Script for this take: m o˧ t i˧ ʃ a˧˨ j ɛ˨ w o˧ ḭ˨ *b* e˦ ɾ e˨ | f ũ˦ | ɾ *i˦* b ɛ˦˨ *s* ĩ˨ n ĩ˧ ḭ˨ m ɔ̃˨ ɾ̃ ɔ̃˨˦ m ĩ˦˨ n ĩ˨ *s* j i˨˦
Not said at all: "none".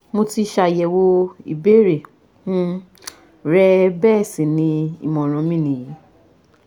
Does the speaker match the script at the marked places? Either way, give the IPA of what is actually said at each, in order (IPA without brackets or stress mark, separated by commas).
b, ɛ˦, s, none